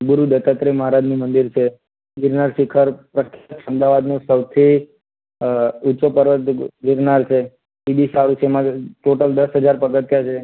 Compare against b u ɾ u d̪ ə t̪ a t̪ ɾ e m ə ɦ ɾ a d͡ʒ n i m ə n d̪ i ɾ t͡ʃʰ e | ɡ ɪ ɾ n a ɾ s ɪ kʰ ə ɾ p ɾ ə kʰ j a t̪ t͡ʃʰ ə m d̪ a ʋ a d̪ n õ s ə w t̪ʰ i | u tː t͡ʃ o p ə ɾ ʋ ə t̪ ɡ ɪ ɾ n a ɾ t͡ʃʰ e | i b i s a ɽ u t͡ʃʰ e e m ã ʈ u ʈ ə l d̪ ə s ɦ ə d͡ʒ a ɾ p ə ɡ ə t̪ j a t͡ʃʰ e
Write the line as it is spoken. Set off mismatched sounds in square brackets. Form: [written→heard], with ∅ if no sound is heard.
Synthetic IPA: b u ɾ u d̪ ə t̪ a t̪ ɾ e m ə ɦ ɾ a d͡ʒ n i m ə n d̪ i ɾ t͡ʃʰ e | ɡ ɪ ɾ n a ɾ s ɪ kʰ ə ɾ p ɾ ə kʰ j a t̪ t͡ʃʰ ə m d̪ a ʋ a d̪ n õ s ə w t̪ʰ i | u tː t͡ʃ o p ə ɾ ʋ ə t̪ ɡ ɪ ɾ n a ɾ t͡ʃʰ e | i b i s a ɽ u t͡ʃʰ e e m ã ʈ [u→o] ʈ ə l d̪ ə s ɦ ə d͡ʒ a ɾ p ə ɡ ə t̪ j a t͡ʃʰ e